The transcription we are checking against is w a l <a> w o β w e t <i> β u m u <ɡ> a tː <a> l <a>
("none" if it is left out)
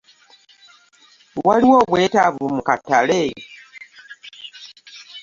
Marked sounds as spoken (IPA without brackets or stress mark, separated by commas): i, a, k, a, e